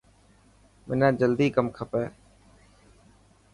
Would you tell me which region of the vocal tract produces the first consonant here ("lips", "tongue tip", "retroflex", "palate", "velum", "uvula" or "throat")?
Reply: lips